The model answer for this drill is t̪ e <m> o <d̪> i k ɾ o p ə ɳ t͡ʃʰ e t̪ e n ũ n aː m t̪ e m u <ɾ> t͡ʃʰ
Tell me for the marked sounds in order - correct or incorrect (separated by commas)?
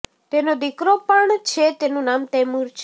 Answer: incorrect, correct, correct